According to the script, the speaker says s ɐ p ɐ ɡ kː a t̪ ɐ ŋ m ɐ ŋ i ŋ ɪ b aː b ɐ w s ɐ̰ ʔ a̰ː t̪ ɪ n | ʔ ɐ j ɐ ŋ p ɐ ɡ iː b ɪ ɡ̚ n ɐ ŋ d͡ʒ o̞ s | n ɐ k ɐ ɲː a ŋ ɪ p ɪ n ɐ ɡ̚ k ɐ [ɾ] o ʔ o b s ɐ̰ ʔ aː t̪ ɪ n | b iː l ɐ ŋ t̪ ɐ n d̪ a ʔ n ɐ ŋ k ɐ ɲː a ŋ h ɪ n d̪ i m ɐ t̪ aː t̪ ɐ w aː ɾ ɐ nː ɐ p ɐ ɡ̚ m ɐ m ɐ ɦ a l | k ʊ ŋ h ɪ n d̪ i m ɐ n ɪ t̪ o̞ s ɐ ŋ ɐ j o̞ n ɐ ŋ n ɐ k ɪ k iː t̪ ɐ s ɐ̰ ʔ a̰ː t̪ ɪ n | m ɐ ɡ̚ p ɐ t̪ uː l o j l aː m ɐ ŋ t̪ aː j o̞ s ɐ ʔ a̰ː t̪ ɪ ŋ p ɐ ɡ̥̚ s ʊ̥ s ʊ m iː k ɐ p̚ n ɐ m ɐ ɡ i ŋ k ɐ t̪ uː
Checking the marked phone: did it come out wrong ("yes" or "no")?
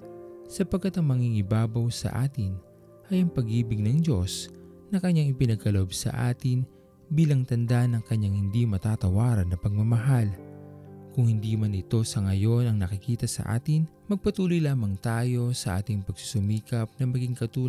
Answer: yes